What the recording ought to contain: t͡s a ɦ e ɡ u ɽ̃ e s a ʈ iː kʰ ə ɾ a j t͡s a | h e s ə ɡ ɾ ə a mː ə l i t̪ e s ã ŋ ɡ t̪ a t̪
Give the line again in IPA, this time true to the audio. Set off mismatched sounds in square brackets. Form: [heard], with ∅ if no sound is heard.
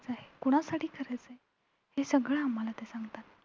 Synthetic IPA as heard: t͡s a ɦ e [k] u ɽ̃ [a] s a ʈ iː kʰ ə ɾ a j t͡s [e] | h e s ə ɡ [ɭ] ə a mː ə l [a] t̪ e s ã ŋ ɡ t̪ a t̪